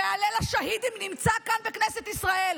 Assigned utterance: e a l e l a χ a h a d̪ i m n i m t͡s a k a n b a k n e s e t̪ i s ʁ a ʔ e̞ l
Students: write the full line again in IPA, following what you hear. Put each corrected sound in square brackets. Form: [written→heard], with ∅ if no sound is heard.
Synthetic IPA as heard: e a l e l a [χ→ʃ] a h [a→i] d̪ i m n i m t͡s a k a n b [a→e] k n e s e t̪ i s ʁ a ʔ e̞ l